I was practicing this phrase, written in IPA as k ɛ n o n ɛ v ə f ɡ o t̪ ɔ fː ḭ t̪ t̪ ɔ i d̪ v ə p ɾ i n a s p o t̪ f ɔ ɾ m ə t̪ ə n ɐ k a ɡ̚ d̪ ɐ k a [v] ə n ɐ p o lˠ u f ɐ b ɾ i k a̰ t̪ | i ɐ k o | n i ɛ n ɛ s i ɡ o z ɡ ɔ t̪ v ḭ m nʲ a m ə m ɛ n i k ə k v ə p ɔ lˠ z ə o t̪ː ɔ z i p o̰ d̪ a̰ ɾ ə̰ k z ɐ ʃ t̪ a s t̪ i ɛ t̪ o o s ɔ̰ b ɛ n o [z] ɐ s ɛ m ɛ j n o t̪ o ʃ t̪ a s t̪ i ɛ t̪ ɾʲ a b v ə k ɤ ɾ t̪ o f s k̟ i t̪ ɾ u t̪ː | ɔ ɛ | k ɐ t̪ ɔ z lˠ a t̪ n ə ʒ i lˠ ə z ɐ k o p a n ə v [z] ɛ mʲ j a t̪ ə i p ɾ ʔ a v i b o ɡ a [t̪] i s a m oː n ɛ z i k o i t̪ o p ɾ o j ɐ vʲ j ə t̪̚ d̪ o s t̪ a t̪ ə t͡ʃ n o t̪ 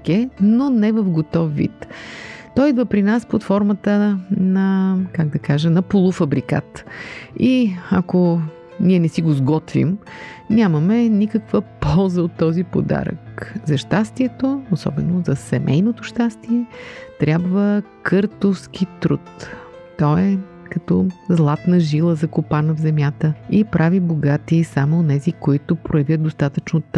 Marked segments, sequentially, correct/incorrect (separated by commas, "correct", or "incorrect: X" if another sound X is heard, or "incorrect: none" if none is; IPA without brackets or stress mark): incorrect: ʒ, correct, correct, correct